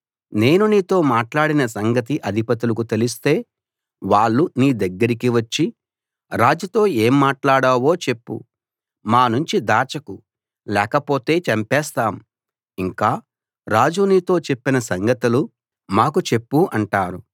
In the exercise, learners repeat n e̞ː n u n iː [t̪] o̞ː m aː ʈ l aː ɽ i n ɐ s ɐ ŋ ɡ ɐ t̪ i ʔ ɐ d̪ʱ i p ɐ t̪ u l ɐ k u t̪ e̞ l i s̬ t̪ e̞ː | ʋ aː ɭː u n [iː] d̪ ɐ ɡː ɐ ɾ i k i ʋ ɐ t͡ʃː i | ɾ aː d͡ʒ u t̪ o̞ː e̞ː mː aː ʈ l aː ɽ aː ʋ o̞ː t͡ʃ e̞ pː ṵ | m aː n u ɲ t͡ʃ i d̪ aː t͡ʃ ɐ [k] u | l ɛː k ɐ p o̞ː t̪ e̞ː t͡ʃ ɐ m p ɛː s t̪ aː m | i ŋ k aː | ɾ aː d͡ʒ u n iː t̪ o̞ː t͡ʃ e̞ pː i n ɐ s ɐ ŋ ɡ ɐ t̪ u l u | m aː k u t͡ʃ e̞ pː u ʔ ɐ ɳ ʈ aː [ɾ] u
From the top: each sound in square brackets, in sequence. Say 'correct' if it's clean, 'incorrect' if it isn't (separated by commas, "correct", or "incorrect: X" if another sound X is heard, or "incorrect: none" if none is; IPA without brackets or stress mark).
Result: correct, correct, correct, correct